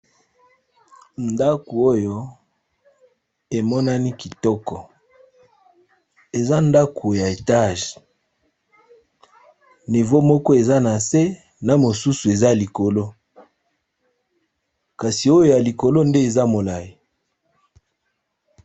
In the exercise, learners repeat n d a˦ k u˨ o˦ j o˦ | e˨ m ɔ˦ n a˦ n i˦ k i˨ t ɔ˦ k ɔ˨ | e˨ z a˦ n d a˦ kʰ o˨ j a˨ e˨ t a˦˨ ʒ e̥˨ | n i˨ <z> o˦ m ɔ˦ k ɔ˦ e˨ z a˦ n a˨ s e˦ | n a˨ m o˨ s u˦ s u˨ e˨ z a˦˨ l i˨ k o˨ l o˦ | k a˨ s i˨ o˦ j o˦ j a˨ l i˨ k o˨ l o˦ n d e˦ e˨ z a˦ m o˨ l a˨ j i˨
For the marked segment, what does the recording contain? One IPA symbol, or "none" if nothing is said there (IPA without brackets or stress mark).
v